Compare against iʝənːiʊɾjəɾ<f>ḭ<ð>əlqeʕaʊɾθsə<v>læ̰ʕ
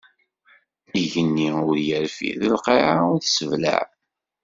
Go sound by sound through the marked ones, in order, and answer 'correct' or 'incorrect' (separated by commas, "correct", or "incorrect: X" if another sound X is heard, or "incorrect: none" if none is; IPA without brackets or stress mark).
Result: correct, correct, correct